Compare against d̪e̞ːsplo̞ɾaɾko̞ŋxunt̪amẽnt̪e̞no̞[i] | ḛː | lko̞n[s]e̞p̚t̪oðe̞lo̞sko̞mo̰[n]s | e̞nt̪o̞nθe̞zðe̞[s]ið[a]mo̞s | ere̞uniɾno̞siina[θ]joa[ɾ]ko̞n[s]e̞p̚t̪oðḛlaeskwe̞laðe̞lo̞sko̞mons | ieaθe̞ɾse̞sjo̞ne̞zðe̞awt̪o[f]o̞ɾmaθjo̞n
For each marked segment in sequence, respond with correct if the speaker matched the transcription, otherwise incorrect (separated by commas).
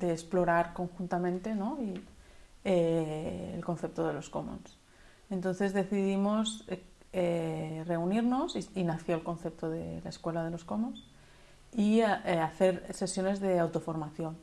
correct, incorrect, correct, incorrect, incorrect, correct, incorrect, incorrect, correct